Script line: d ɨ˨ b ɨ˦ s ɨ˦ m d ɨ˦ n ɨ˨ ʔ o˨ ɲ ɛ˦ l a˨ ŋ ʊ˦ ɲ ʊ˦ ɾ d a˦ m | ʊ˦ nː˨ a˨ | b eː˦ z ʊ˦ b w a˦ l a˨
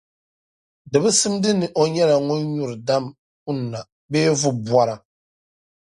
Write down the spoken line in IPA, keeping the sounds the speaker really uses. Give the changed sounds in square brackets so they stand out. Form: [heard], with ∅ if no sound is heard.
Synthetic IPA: d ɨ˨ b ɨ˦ s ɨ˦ m d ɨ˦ n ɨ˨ ʔ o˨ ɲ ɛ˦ l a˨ ŋ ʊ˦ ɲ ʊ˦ ɾ d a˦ m | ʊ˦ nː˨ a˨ | b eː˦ [v] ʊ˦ b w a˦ [ɾ] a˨